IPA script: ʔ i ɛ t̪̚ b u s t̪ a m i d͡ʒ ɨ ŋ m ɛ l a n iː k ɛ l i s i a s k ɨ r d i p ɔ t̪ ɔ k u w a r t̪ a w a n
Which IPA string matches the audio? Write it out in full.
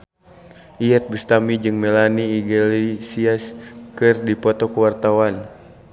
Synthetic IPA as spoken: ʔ i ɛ t̪̚ b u s t̪ a m i d͡ʒ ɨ ŋ m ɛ l a n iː ɡ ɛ l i s i a s k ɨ r d i p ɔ t̪ ɔ k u w a r t̪ a w a n